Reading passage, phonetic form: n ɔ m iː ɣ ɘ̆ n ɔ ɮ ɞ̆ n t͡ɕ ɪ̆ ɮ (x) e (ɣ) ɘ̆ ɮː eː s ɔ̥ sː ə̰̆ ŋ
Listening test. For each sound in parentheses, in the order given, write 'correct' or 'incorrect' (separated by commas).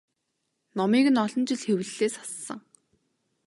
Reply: correct, incorrect